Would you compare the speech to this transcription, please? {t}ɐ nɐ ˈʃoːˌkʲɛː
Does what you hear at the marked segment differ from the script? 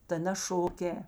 no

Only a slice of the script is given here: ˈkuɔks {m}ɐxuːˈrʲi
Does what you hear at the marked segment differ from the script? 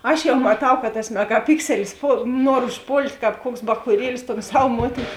yes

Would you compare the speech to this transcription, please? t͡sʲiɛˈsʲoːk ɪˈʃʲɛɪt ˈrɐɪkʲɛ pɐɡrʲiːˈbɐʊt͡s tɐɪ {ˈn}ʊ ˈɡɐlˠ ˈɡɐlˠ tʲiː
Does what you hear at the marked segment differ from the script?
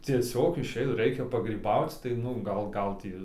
no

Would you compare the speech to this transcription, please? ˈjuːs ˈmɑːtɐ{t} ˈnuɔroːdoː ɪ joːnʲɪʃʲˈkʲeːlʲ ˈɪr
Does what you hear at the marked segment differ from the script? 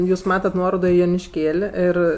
no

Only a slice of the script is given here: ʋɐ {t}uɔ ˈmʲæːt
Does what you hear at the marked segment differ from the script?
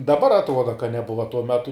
no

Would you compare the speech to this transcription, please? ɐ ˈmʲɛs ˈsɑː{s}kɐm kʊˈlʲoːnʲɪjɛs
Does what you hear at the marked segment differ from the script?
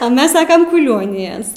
yes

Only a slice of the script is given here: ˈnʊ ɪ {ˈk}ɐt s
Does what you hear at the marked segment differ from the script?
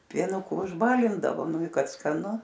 no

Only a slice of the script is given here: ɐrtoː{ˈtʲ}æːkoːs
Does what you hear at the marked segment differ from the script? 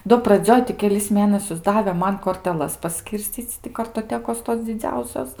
no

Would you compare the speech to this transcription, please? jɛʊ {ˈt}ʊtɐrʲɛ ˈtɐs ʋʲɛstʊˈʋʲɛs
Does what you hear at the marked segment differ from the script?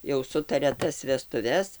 yes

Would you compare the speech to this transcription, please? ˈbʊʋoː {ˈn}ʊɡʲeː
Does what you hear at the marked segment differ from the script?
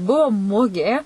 yes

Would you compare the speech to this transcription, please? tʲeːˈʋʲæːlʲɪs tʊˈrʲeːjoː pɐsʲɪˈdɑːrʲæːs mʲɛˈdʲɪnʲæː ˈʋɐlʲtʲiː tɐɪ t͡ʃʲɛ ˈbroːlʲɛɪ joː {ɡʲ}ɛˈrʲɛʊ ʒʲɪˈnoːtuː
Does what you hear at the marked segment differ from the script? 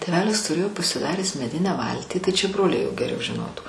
no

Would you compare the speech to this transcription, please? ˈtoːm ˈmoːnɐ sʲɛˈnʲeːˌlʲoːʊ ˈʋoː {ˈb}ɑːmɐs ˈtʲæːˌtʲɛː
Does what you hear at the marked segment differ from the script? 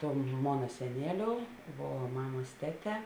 yes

